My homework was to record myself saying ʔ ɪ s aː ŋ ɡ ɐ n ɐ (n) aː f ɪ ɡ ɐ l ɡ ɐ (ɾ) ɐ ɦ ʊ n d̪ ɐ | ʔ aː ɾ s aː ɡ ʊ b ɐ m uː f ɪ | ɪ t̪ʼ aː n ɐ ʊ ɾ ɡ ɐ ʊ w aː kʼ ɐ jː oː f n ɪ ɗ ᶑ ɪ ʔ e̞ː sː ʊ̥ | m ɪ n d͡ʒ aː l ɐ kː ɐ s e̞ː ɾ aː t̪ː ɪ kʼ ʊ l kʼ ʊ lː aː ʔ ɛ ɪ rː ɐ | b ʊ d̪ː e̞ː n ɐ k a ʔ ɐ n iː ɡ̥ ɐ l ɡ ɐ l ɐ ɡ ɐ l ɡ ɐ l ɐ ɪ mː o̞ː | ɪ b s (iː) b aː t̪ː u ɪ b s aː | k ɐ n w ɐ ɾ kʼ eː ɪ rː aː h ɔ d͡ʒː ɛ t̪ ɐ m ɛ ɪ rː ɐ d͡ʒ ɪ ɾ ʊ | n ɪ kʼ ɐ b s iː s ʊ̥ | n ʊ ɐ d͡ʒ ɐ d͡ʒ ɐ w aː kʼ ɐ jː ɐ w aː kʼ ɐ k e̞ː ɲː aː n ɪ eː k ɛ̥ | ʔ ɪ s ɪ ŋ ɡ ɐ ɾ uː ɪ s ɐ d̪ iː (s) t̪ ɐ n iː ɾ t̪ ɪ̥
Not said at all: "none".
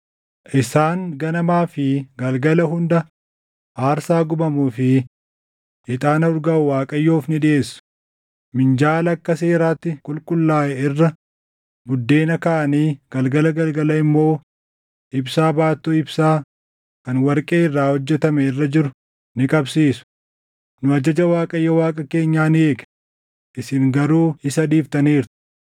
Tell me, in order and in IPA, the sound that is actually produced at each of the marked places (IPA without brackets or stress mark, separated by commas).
m, l, aː, f